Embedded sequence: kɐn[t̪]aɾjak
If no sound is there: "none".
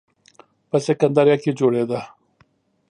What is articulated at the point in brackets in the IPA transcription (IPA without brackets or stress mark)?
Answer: d̪